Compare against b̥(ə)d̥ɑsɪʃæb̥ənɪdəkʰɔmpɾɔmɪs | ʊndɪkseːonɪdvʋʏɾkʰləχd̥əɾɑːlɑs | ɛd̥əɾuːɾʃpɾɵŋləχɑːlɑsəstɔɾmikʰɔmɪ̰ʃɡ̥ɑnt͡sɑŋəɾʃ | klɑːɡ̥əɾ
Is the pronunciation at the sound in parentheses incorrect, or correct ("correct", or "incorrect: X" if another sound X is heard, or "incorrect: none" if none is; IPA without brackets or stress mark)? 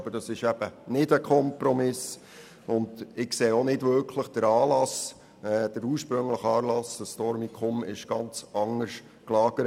correct